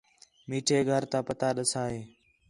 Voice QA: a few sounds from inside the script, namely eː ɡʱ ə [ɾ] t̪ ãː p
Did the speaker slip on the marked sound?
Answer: no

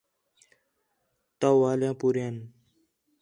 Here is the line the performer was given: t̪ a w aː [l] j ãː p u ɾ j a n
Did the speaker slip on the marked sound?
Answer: no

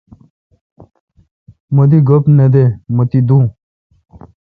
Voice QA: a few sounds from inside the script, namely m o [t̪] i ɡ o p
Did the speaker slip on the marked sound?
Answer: yes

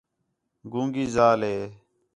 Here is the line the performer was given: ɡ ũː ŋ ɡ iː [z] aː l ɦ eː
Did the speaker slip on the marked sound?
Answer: no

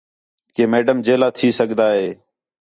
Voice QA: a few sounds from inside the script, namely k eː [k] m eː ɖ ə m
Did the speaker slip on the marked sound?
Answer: yes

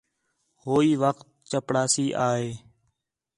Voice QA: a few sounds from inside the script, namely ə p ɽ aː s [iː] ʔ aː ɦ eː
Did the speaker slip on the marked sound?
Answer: no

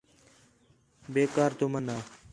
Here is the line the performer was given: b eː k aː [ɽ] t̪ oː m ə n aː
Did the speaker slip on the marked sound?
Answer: yes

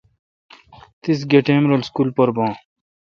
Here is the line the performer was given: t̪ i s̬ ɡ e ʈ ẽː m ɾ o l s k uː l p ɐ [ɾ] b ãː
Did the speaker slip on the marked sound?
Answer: no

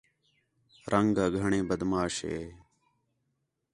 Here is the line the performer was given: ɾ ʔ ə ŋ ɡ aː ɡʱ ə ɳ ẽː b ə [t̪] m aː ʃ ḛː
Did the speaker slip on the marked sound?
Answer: yes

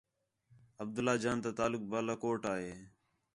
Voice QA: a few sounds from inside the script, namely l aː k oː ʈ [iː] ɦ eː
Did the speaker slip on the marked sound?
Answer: yes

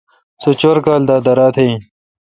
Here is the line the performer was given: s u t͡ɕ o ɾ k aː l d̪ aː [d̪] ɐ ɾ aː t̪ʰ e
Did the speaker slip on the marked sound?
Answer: no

